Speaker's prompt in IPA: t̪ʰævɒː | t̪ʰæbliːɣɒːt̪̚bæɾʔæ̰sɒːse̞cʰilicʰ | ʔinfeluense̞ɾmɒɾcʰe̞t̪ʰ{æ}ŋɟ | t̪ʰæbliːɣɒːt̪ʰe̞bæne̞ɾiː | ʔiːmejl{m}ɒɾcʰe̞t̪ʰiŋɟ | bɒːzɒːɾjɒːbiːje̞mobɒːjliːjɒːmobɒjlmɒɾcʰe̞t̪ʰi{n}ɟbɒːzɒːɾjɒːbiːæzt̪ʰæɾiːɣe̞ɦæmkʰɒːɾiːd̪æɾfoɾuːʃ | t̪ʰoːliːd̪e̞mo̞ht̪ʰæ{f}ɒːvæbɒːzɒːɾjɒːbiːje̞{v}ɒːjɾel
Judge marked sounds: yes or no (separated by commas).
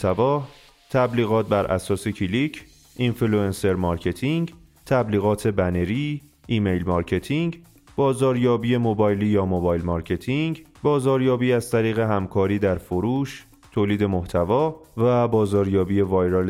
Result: no, yes, no, no, yes